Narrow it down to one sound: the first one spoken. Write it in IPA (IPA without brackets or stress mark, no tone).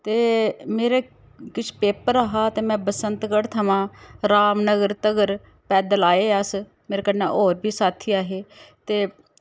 t̪